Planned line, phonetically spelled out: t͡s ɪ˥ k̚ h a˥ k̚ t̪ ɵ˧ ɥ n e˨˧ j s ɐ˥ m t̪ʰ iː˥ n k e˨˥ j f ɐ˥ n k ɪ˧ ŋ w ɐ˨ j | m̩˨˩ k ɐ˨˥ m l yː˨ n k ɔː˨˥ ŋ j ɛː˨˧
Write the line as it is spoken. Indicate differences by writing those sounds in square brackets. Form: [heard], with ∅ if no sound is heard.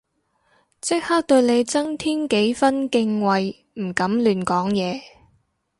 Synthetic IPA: t͡s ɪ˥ k̚ h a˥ k̚ t̪ ɵ˧ ɥ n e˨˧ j [t͡s] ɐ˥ [ŋ] t̪ʰ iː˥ n k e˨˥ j f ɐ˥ n k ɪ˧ ŋ w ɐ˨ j | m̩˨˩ k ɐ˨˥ m l yː˨ n k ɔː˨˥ ŋ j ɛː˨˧

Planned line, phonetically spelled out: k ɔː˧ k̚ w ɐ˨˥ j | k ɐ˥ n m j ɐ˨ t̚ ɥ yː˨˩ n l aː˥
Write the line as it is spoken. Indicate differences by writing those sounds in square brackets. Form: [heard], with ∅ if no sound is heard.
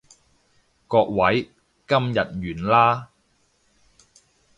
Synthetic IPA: k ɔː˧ k̚ w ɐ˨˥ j | k ɐ˥ [∅] m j ɐ˨ t̚ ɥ yː˨˩ n l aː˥

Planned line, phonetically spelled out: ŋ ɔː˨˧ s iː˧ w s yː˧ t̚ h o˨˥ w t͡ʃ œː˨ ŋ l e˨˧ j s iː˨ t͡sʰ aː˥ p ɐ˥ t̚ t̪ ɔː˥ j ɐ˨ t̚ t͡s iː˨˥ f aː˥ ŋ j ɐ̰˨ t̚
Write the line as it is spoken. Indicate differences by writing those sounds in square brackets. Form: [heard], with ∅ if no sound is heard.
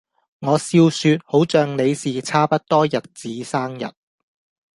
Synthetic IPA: ŋ ɔː˨˧ s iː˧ w s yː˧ t̚ h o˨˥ w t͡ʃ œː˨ ŋ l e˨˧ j s iː˨ t͡sʰ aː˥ p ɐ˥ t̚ t̪ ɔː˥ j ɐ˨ t̚ t͡s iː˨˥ [s] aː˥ ŋ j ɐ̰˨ t̚

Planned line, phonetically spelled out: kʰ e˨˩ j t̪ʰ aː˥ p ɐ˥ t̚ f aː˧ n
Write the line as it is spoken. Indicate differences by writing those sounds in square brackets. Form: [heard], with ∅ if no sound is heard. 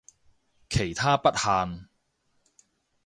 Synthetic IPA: kʰ e˨˩ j t̪ʰ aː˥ p ɐ˥ t̚ [h] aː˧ n

